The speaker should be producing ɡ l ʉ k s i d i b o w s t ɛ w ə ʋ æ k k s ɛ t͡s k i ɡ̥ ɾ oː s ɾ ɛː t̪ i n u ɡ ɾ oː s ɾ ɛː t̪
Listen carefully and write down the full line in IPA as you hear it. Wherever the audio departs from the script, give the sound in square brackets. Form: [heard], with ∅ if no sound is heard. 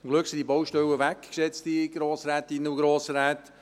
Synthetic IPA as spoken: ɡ l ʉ k s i d i b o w [ʃ] t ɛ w ə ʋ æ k k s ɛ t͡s [t] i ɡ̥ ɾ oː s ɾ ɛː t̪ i n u ɡ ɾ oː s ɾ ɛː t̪

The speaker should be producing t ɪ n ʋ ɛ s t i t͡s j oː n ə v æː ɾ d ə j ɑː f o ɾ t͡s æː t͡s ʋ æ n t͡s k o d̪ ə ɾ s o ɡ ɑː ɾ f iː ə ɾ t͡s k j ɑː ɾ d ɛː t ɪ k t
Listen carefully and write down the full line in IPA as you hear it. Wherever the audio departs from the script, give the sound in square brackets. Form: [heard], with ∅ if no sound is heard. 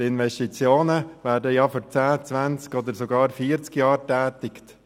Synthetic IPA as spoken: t ɪ n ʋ ɛ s t i t͡s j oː n ə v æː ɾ d ə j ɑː f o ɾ t͡s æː t͡s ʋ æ n t͡s k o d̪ ə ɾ s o ɡ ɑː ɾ f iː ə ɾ t͡s k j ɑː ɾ [t] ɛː t ɪ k t

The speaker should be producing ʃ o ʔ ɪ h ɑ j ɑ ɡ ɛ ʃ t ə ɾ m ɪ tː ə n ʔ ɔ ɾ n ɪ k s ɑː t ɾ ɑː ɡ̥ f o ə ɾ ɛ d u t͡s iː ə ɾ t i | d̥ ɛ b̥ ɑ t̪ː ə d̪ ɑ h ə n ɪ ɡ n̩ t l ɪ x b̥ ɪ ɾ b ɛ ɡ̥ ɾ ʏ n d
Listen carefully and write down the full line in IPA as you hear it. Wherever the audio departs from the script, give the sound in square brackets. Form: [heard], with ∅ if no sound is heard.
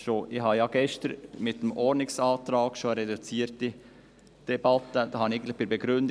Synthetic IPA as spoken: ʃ o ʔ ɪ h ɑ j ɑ ɡ ɛ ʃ t ə ɾ m ɪ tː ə [m] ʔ ɔ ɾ n ɪ k s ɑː t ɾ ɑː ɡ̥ [ʃ] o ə ɾ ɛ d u t͡s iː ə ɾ t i | d̥ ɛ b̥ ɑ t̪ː ə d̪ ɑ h [ɑ] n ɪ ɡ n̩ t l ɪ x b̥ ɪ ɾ b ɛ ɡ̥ ɾ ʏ n d

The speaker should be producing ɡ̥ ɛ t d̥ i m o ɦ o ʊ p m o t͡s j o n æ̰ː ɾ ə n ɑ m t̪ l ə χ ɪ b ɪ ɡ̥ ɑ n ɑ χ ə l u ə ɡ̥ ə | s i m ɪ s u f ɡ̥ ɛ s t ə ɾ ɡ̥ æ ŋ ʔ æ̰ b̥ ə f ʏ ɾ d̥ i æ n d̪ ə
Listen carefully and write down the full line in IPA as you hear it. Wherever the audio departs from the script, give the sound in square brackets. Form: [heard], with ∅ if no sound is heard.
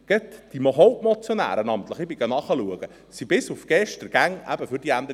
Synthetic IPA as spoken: ɡ̥ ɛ t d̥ i m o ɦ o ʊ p m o t͡s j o n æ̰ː ɾ ə n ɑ m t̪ l ə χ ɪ b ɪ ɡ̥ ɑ n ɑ χ ə l u ə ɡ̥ ə | s i [b] ɪ s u f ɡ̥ ɛ [ʃ] t ə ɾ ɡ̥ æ ŋ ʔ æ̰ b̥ ə f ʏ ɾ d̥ i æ n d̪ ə

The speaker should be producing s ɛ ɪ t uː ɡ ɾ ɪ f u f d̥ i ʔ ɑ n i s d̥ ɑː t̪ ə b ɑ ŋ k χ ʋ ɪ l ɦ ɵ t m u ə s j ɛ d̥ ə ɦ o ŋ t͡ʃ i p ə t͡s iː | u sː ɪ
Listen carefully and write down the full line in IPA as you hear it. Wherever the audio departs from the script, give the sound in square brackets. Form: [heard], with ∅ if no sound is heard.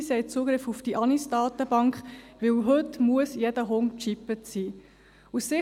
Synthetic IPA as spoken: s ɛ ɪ [t͡s] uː ɡ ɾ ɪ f u f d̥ i ʔ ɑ n i s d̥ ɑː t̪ ə b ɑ ŋ k χ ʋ ɪ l ɦ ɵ t m u ə s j ɛ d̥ ə ɦ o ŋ t͡ʃ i p ə t͡s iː | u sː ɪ

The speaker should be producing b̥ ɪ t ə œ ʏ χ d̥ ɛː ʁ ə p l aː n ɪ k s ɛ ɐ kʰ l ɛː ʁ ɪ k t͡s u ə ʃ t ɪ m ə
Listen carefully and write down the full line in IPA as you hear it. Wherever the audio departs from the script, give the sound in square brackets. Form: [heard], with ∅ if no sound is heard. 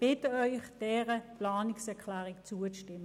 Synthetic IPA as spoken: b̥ ɪ t ə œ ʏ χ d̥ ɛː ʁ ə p l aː n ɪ k s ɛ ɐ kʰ l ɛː ʁ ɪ k t͡s u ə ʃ t ɪ m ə

